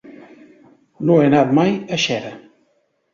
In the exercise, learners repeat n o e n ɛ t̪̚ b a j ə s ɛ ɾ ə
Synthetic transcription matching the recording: n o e n a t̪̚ m a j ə ʃ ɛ ɾ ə

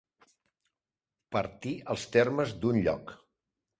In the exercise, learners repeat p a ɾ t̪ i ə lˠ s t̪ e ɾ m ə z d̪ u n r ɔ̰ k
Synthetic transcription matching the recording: p ə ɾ t̪ i ə lˠ s t̪ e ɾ m ə z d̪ u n ʎ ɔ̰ k

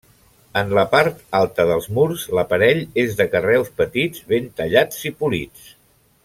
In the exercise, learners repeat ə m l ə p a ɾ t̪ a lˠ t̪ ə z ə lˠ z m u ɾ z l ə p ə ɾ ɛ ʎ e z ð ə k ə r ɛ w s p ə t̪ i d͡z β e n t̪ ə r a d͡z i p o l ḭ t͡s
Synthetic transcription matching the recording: ə n l ə p a ɾ t̪ a lˠ t̪ ə ð ə lˠ z m u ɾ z l ə p ə ɾ ɛ ʎ e z ð ə k ə r ɛ w s p ə t̪ i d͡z β e n t̪ ə ʎ a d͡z i p u l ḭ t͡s

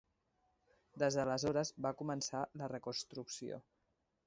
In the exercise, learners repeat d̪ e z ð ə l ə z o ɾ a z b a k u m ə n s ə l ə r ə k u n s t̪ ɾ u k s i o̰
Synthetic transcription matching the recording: d̪ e z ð ə l ə z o ɾ ə z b a k u m ə n s a l ə r ə k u n s t̪ ɾ u k s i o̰

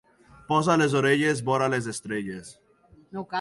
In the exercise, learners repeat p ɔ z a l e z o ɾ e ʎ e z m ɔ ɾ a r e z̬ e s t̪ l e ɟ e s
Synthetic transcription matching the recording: p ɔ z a l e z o ɾ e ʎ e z b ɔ ɾ a l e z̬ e s t̪ ɾ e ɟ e s

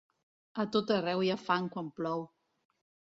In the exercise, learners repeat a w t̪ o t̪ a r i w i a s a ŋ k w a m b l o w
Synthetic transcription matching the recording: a t̪ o t̪ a r ɛ w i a f a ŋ k w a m p l ɔ w

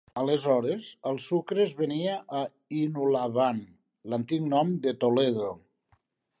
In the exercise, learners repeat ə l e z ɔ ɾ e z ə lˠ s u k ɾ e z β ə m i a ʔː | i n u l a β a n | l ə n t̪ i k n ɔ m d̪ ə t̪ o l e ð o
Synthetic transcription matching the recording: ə l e z ɔ ɾ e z ə lˠ s u k ɾ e z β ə n i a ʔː | i n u l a β a n | l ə n t̪ i k n ɔ m d̪ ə t̪ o l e ð o

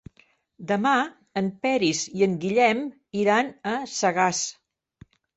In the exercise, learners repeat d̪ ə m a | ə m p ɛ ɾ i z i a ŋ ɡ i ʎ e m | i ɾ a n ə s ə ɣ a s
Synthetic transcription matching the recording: d̪ ə m a | ə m p ɛ ɾ i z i ə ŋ ɡ i ʎ ɛ m | i ɾ a n ə s ə ɣ a s

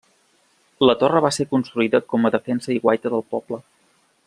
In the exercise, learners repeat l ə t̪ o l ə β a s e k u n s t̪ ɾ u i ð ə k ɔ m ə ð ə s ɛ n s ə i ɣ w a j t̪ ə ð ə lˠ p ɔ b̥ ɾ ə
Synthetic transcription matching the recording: l ə t̪ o r ə β a s e k u n s t̪ ɾ u i ð ə k ɔ m ə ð ə f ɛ n s ə i ɣ w a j t̪ ə ð ə lˠ p ɔ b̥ l ə

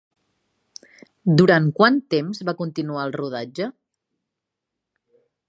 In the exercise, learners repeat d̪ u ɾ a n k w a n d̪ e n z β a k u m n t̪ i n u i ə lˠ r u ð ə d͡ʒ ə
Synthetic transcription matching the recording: d̪ u ɾ a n k w a n t̪ e m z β a k u n t̪ i n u a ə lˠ r u ð a d͡ʒ ə

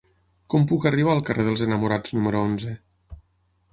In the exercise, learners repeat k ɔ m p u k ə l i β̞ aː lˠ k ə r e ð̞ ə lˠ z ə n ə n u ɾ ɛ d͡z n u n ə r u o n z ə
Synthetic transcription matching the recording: k ɔ m p u k ə r i β̞ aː lˠ k ə r e ð̞ ə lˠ z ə n ə m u ɾ a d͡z n u m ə ɾ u o n z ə

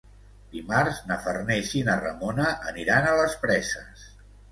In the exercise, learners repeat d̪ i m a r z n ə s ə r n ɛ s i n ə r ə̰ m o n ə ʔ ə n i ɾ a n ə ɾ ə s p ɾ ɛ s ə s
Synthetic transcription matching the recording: d̪ i m a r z n ə f ə r n ɛ ʃ i n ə r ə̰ m o n ə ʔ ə n i ɾ a n ə l ə s p ɾ ɛ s ə s

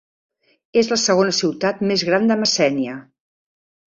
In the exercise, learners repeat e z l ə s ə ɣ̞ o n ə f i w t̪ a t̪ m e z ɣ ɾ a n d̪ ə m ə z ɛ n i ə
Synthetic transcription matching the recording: e z l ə s ə ɣ̞ o n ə s i w t̪ a t̪ m e z ɣ ɾ a n d̪ ə m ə s ɛ n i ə

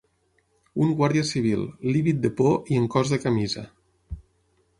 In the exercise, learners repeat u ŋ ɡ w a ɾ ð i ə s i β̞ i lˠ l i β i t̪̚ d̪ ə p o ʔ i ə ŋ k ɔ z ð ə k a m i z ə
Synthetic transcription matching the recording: u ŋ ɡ w a ɾ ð i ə s i β̞ i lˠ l i β i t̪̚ d̪ ə p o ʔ i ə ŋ k ɔ z ð ə k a m i z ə

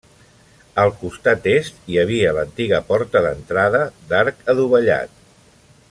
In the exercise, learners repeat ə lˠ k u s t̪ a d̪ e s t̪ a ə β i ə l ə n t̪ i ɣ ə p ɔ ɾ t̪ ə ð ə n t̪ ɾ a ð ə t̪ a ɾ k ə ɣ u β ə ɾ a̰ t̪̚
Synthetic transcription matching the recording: ə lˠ k u s t̪ a t̪ e s t̪ i ə β i ə l ə n t̪ i ɣ ə p ɔ ɾ t̪ ə ð ə n t̪ ɾ a ð ə d̪ a ɾ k ə ð u β ə ʎ a̰ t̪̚

